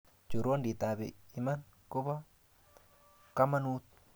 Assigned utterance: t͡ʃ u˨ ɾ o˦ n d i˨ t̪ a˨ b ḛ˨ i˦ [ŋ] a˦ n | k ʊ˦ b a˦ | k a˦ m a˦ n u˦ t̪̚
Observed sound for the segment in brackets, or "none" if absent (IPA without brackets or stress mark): m